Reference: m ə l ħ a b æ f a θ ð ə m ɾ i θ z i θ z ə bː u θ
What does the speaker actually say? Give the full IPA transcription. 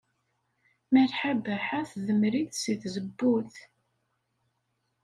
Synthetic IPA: m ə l ħ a b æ ħ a θ ð ə m ɾ i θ s i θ z ə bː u θ